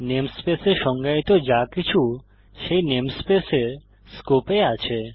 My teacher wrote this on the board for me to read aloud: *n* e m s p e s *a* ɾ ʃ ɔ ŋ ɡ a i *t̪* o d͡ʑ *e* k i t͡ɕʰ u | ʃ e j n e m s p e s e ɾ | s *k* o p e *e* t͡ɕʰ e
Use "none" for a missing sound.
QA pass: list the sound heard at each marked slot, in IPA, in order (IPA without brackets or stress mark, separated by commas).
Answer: n, e, t̪, a, k, a